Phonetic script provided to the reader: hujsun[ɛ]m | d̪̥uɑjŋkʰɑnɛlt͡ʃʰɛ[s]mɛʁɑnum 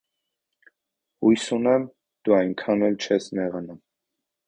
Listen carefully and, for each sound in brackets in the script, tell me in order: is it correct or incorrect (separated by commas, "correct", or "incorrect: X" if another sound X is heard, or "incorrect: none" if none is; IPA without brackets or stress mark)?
correct, correct